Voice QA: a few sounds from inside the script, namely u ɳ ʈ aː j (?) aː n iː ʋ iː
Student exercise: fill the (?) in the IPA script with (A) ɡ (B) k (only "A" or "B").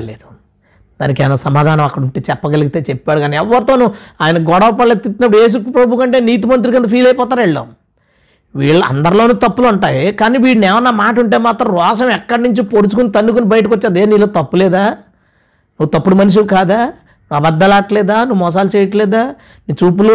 B